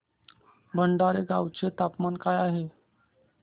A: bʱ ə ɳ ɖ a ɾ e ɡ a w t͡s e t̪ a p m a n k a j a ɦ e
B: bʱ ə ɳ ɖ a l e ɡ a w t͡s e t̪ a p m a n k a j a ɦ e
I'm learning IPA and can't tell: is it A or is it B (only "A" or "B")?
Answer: A